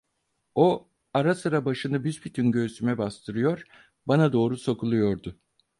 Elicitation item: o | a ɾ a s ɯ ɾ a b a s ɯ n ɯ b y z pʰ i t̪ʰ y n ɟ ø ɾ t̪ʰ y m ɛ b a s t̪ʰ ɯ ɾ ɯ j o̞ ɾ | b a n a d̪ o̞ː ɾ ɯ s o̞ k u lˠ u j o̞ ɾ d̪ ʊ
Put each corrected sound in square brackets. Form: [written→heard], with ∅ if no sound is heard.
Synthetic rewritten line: o | a ɾ a s ɯ ɾ a b a [s→ʃ] ɯ n ɯ b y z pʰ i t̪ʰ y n ɟ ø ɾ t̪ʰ y m ɛ b a s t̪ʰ ɯ ɾ ɯ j o̞ ɾ | b a n a d̪ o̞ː ɾ [ɯ→u] s o̞ k u lˠ u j o̞ ɾ d̪ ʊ